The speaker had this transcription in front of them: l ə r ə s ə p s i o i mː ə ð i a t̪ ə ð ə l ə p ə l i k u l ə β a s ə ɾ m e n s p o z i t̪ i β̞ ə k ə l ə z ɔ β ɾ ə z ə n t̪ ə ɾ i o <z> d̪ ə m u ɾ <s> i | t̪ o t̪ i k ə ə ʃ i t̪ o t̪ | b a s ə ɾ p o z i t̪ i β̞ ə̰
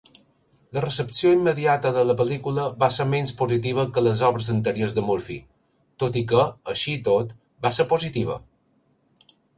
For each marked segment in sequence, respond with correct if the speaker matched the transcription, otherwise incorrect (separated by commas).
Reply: correct, incorrect